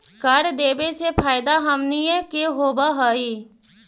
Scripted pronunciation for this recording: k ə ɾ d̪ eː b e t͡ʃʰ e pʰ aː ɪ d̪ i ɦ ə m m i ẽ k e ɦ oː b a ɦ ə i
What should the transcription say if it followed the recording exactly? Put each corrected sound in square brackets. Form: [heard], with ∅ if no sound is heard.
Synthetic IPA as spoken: k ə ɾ d̪ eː b e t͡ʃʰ e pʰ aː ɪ d̪ [a] ɦ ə m [n] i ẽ k e ɦ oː b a ɦ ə i